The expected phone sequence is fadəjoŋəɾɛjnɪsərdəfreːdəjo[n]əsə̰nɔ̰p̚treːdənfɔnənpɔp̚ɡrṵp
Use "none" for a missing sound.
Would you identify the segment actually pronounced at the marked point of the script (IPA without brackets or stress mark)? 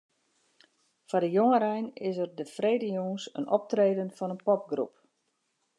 ŋ